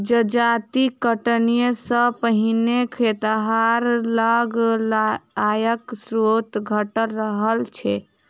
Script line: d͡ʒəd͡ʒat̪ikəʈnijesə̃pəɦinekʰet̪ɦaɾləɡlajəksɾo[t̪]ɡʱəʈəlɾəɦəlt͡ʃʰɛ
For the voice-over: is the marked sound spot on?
yes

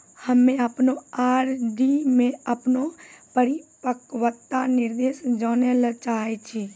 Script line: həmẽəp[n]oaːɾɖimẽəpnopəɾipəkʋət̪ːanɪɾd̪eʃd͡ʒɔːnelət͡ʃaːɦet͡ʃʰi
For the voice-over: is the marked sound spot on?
yes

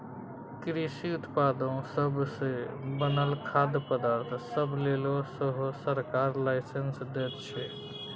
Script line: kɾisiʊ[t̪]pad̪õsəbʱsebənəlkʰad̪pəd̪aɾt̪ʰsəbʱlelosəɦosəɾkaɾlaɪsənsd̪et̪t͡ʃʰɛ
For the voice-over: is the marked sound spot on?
yes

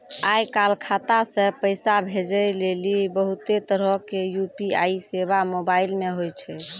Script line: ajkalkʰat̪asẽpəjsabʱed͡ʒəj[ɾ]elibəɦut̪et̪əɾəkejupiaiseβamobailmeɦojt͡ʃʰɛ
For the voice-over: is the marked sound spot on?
no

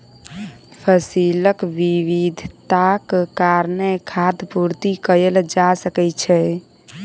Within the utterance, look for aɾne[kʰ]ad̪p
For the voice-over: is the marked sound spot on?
yes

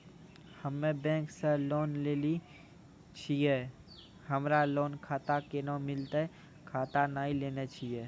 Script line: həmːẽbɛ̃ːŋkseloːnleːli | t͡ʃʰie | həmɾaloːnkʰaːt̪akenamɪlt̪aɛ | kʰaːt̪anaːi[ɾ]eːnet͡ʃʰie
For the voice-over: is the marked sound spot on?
no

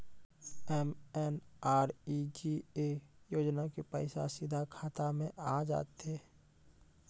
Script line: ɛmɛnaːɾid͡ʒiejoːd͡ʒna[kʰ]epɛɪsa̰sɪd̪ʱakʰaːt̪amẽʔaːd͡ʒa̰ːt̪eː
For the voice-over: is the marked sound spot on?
no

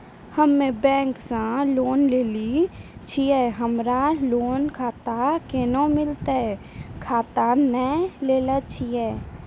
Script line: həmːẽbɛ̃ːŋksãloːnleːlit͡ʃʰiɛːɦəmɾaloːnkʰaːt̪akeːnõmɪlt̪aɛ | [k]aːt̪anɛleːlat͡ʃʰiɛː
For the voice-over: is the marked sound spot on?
no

